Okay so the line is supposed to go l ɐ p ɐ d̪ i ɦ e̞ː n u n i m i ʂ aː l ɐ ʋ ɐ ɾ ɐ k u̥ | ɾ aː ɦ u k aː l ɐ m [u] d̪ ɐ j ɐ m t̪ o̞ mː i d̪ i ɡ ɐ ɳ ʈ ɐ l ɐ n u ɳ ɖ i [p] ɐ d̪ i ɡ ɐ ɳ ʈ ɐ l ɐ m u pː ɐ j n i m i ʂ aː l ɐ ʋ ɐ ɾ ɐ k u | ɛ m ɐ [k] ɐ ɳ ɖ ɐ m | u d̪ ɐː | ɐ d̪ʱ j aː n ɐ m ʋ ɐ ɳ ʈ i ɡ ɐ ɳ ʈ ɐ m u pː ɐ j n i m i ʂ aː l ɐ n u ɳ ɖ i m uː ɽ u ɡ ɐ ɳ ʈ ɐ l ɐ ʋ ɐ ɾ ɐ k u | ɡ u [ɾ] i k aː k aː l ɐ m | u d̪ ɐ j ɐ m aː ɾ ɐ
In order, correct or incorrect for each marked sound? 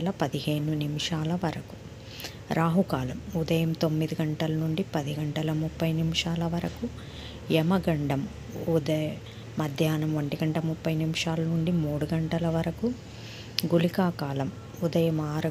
correct, correct, incorrect: ɡ, incorrect: l

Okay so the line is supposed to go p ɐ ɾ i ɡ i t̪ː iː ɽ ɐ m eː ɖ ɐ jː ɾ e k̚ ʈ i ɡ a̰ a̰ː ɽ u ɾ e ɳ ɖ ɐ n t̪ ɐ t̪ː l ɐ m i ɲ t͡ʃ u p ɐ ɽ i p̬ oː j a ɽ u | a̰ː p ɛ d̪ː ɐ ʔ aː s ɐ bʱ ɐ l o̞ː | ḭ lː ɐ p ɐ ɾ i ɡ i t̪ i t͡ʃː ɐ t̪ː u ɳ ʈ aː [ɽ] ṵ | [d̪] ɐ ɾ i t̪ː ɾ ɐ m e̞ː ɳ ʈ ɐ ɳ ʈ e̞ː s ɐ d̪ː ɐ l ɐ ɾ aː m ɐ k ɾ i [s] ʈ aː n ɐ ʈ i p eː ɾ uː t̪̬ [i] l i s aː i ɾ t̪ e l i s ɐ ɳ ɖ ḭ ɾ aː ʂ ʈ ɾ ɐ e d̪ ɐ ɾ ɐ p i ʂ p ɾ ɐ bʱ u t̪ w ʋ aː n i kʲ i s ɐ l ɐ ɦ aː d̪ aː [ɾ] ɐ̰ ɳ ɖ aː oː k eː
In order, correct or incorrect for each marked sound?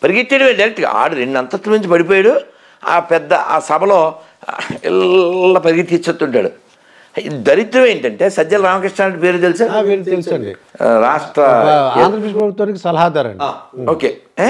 correct, correct, incorrect: ʂ, incorrect: e, correct

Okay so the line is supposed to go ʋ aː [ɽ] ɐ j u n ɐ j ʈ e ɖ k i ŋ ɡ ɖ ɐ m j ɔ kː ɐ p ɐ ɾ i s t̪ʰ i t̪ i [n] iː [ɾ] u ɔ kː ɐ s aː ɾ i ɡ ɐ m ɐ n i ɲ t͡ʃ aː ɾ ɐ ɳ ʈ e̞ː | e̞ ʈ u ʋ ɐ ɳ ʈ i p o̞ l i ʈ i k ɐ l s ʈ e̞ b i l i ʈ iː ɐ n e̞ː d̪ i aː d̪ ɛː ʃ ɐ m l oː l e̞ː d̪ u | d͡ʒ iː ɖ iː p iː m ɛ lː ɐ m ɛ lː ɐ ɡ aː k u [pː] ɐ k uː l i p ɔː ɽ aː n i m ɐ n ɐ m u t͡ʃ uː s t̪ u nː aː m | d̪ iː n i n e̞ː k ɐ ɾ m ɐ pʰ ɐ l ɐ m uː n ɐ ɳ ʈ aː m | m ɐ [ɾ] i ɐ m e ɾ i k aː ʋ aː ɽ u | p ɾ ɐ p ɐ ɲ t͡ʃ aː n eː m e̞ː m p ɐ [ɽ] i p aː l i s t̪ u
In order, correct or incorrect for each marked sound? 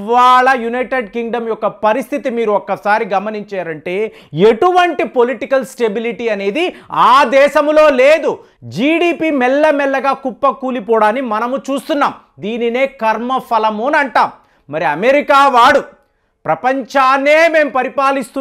incorrect: ɭ, incorrect: m, correct, correct, correct, incorrect: ɾ

